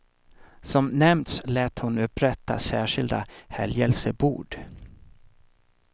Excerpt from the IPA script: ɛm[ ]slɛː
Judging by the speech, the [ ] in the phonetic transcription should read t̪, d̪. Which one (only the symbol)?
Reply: t̪